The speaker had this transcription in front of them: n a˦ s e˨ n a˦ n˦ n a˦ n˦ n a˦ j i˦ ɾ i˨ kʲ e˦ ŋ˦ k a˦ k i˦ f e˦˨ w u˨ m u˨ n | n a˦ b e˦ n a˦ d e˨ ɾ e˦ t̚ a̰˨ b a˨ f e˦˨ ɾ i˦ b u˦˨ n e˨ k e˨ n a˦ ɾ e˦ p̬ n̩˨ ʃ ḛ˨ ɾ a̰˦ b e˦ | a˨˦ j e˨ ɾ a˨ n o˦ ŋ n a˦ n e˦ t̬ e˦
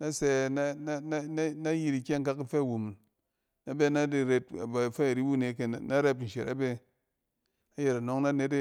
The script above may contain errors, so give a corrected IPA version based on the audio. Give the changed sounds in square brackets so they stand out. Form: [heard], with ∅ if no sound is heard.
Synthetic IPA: n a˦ s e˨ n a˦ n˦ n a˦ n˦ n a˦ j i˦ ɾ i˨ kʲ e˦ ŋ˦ k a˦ k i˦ f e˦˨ w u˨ m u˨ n | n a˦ b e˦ n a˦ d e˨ ɾ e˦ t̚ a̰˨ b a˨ f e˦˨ ɾ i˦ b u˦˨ n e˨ k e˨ n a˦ ɾ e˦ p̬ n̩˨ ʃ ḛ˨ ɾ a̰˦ b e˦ | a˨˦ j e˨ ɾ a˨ n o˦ ŋ n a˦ n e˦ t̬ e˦